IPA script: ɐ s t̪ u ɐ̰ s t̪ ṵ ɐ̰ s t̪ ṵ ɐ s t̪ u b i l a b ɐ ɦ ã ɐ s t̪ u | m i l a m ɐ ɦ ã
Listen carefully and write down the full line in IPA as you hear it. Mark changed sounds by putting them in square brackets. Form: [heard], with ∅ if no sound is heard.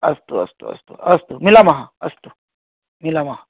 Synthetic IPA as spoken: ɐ s t̪ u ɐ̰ s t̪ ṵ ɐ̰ s t̪ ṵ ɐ s t̪ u [m] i l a [m] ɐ ɦ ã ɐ s t̪ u | m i l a m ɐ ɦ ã